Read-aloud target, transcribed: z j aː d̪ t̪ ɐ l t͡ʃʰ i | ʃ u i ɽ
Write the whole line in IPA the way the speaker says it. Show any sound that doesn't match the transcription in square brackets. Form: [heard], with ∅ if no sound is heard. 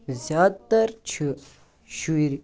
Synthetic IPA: z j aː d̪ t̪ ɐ [ɾ] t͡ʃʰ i | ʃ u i [ɾ]